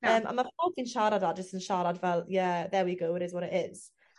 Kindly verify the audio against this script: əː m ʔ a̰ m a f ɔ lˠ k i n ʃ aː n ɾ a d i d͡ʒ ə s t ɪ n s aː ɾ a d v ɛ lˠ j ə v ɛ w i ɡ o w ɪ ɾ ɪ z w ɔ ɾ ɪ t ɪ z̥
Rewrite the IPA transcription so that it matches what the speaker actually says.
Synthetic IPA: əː m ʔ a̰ m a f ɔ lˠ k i n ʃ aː ɾ a d a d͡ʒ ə s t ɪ n ʃ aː ɾ a d v ɛ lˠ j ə ð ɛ w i ɡ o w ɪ ɾ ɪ z w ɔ ɾ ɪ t ɪ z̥